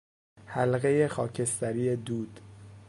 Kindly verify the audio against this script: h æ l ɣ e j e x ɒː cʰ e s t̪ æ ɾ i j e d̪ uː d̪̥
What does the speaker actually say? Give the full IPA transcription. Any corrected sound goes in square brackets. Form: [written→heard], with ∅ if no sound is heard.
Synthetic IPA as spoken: h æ l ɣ e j e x ɒː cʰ e s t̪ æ ɾ i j e d̪ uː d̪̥

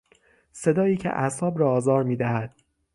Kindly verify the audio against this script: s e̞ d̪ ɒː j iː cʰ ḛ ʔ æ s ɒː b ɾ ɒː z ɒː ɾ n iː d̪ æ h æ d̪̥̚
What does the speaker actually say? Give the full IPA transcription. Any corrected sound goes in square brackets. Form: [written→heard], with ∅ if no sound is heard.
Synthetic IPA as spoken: s e̞ d̪ ɒː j iː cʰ ḛ ʔ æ s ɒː b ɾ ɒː z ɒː ɾ [n→m] iː d̪ æ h æ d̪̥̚

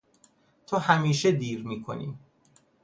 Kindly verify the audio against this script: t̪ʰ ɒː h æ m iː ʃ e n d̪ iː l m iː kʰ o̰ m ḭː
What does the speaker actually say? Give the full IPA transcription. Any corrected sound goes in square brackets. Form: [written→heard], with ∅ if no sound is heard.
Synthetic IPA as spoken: t̪ʰ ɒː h æ m iː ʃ e [n→∅] d̪ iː [l→ɾ] m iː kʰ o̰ [m→n] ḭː

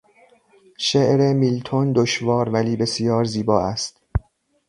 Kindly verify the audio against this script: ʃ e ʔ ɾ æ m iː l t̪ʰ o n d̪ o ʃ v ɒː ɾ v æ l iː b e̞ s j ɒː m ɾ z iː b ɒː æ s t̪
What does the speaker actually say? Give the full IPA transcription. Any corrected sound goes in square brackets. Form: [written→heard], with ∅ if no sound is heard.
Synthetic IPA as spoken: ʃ e ʔ ɾ [æ→e] m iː l t̪ʰ o n d̪ o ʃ v ɒː ɾ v æ l iː b e̞ s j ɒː [m→∅] ɾ z iː b ɒː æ s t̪

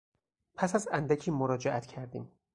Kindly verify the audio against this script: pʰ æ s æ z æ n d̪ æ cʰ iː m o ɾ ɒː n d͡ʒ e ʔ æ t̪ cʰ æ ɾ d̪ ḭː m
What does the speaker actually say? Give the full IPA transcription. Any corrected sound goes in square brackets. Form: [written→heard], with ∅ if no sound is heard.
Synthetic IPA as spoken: pʰ æ s æ z æ n d̪ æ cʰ iː m o ɾ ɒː [n→∅] d͡ʒ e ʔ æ t̪ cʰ æ ɾ d̪ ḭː m

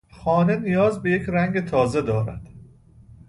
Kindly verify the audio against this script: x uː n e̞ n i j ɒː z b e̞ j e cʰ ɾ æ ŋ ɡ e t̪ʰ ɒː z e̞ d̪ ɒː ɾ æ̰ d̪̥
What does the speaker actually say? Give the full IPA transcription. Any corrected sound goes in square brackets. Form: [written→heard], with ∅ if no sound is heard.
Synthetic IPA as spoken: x [uː→ɒː] n e̞ n i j ɒː z b e̞ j e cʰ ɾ æ ŋ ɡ e t̪ʰ ɒː z e̞ d̪ ɒː ɾ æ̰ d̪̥

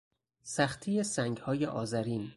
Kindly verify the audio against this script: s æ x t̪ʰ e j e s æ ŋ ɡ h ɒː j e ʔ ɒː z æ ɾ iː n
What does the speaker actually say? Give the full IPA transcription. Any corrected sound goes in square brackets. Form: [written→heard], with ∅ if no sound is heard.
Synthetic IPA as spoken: s æ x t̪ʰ [e→i] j e s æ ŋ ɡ h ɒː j e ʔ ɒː z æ ɾ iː n

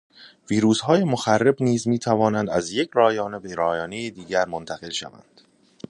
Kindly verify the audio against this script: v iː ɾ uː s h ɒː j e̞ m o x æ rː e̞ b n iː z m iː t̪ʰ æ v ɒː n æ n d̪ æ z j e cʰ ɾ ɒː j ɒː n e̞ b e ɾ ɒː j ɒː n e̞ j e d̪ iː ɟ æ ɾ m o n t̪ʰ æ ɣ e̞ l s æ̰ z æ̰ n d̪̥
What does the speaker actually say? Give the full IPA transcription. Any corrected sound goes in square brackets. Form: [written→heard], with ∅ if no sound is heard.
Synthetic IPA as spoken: v iː ɾ uː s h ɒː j e̞ m o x æ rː e̞ b n iː z m iː t̪ʰ æ v ɒː n æ n d̪ æ z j e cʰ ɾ ɒː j ɒː n e̞ b e ɾ ɒː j ɒː n e̞ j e d̪ iː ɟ æ ɾ m o n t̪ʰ æ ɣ e̞ l [s→ʃ] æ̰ [z→v] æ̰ n d̪̥

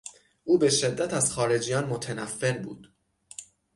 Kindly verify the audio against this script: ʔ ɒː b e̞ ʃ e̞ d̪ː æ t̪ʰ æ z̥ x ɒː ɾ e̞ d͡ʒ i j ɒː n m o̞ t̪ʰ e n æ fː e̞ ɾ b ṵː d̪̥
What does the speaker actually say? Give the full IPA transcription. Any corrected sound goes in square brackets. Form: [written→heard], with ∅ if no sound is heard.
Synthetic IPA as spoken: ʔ [ɒː→uː] b e̞ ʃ e̞ d̪ː æ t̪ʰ æ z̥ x ɒː ɾ e̞ d͡ʒ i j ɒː n m o̞ t̪ʰ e n æ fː e̞ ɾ b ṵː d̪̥

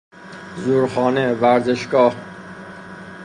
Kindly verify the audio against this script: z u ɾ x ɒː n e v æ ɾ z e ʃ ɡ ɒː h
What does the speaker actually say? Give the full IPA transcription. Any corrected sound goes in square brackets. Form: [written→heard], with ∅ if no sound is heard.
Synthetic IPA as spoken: z u ɾ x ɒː n e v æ ɾ z e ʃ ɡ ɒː h

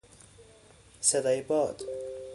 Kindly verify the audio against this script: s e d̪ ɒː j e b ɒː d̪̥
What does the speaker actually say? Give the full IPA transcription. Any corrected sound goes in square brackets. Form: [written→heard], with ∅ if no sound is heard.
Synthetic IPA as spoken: s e d̪ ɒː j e b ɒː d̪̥

